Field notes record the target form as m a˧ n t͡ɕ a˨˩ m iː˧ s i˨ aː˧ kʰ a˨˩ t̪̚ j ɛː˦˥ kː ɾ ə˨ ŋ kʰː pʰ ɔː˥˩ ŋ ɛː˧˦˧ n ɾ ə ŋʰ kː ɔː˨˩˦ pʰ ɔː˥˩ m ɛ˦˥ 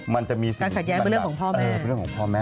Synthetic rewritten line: m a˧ n t͡ɕ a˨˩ m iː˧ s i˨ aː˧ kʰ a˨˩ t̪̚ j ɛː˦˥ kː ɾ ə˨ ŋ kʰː pʰ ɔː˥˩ m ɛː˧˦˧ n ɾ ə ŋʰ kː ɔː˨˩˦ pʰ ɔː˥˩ m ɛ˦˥

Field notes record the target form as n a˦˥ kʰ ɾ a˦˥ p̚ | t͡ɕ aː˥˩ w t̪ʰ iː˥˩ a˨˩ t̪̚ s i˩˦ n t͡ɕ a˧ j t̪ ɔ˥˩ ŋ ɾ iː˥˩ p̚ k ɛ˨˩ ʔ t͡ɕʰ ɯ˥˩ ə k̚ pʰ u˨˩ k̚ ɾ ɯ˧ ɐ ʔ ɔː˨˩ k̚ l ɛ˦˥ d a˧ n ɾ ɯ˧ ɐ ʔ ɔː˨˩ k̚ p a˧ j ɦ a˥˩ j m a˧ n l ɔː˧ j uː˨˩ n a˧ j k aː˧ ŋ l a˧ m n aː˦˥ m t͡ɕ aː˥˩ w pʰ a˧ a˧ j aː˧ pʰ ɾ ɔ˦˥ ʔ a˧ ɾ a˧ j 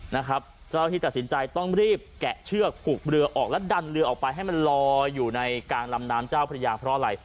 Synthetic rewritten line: n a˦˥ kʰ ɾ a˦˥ p̚ | t͡ɕ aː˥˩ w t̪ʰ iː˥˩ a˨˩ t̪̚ s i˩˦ n t͡ɕ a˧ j t̪ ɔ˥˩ ŋ ɾ iː˥˩ p̚ k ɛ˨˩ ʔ t͡ɕʰ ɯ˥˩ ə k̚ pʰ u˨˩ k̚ ɾ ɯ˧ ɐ ʔ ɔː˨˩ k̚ l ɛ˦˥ d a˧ n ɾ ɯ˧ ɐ ʔ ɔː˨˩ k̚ p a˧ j ɦ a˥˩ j m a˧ n l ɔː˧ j uː˨˩ n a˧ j k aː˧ ŋ l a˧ m n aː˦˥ m t͡ɕ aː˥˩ w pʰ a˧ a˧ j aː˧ pʰ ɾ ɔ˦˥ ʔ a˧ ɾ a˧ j

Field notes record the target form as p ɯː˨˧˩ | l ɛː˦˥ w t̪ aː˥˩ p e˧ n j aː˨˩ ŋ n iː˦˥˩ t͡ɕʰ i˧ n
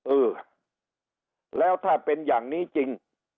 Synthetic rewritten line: ʔ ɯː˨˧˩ | l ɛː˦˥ w t̪ʰ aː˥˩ p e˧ n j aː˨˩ ŋ n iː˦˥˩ t͡ɕ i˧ ŋ

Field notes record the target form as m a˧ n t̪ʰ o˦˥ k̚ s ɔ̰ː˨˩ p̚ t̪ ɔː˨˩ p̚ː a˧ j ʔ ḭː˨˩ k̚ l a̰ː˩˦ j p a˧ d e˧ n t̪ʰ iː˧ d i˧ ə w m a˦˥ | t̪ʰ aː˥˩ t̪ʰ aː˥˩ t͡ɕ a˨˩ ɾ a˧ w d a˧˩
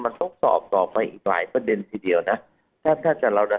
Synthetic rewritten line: m a˧ n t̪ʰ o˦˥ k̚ s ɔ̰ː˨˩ p̚ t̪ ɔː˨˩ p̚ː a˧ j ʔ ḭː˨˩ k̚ l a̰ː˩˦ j p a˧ d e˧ n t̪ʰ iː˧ d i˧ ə w n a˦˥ | t̪ʰ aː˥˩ t̪ʰ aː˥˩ t͡ɕ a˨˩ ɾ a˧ w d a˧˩

